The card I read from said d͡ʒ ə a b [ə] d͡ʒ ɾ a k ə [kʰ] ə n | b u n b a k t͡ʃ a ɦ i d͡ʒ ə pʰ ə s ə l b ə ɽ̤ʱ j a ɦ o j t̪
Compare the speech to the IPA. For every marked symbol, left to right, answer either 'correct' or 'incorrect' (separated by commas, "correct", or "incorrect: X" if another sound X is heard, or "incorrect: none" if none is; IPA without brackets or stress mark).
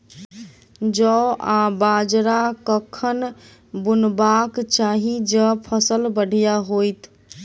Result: incorrect: a, correct